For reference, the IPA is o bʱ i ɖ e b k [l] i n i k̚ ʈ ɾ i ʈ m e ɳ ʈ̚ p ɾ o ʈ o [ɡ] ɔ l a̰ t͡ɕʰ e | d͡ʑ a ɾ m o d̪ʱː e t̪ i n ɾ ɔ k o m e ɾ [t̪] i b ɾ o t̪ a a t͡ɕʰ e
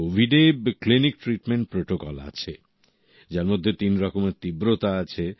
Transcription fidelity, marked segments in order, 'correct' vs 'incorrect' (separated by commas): correct, incorrect, correct